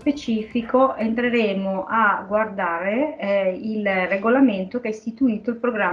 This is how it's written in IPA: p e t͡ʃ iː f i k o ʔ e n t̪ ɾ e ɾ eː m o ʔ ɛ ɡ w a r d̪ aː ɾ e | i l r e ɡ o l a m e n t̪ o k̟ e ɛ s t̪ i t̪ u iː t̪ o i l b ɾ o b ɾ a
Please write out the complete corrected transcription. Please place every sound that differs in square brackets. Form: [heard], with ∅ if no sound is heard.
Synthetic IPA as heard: p e t͡ʃ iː f i k o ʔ e n t̪ ɾ e ɾ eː m o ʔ [a] ɡ w a r d̪ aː ɾ e | i l r e ɡ o l a m e n t̪ o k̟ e ɛ s t̪ i t̪ u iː t̪ o i l [p] ɾ o [ɡ] ɾ a